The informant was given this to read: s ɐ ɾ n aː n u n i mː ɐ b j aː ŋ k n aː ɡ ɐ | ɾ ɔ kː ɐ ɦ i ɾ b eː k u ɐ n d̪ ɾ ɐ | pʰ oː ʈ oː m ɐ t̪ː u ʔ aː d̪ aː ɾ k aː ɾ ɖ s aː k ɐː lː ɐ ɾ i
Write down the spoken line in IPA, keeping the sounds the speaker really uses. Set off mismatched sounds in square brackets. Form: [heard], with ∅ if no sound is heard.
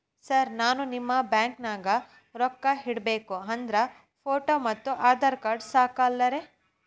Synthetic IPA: s ɐ ɾ n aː n u n i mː ɐ b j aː ŋ k n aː ɡ ɐ | ɾ ɔ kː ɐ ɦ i [ɽ] b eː k u ɐ n d̪ ɾ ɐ | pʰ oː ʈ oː m ɐ t̪ː u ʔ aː d̪ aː ɾ k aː ɾ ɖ s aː k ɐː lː ɐ ɾ [e]